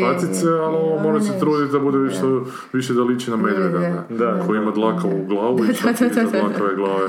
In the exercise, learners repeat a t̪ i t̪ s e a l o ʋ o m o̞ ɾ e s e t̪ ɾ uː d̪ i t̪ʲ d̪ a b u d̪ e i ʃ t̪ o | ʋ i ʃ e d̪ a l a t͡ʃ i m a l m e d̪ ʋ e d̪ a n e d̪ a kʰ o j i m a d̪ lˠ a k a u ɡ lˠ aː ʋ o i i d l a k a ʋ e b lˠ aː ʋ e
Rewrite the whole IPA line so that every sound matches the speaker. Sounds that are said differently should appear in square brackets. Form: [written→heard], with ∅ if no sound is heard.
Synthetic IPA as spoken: a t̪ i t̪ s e a l o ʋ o m o̞ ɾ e s e t̪ ɾ uː d̪ i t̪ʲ d̪ a b u d̪ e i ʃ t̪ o | ʋ i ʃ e d̪ a l [a→i] t͡ʃ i [m→n] a [l→∅] m e d̪ ʋ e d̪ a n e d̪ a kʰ o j i m a d̪ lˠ a k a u ɡ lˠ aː ʋ [o→u] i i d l a k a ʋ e [b→ɡ] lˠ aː ʋ e